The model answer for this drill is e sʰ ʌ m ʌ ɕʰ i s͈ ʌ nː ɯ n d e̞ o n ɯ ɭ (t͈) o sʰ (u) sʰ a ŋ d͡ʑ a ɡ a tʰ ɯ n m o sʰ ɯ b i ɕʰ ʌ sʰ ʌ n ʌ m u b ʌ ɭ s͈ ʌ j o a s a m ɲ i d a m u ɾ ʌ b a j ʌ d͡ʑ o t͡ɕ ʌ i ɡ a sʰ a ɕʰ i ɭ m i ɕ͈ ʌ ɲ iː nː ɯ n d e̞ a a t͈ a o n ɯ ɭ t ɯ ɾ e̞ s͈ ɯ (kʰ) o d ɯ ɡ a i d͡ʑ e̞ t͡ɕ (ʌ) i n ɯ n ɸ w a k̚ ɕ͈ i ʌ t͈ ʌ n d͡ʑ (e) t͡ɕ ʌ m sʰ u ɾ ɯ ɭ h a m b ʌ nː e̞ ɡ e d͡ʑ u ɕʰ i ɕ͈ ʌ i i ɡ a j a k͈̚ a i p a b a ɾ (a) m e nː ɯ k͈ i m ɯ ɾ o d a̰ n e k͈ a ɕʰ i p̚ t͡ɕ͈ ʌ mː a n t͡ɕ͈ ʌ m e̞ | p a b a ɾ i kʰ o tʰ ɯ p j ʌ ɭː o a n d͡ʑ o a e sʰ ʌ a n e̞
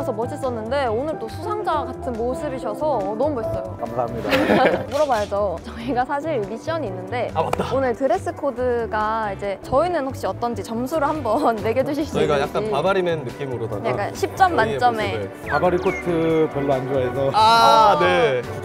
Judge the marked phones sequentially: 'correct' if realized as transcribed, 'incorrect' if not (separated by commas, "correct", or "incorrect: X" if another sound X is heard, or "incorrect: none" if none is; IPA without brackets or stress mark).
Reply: correct, correct, correct, correct, incorrect: i, incorrect: i